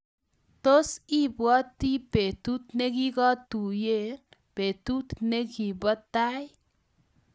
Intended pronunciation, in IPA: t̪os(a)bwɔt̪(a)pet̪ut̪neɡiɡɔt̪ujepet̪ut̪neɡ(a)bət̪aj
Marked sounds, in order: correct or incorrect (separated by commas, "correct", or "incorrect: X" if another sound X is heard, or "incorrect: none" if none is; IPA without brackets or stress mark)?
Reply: incorrect: i, incorrect: i, incorrect: i